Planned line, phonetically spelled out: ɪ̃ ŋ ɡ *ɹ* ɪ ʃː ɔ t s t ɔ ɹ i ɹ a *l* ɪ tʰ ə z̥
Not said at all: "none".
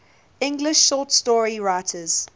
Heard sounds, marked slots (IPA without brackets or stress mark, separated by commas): l, none